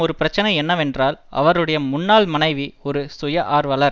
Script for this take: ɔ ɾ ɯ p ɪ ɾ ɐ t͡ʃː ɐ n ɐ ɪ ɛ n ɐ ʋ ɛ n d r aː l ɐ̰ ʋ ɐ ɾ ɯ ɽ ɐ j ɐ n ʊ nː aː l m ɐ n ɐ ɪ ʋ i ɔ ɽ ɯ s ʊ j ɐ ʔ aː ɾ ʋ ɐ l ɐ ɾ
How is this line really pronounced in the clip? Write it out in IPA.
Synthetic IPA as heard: ɔ ɾ ɯ p ɪ ɾ ɐ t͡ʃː ɐ n ɐ ɪ ɛ nː ɐ ʋ ɛ n d r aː l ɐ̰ ʋ ɐ ɾ ɯ ɽ ɐ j ɐ m ʊ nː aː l m ɐ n ɐ ɪ ʋ i ɔ ɾ ɯ s ʊ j ɐ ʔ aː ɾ ʋ ɐ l ɐ ɾ